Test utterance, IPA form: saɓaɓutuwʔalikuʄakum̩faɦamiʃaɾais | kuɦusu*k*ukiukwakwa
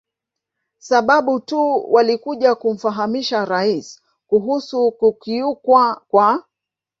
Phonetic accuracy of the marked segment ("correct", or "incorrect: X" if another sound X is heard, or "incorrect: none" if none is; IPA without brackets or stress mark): correct